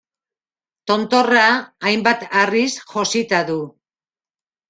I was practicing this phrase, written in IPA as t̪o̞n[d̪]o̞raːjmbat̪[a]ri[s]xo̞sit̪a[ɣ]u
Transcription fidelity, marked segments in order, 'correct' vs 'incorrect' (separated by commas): incorrect, correct, correct, incorrect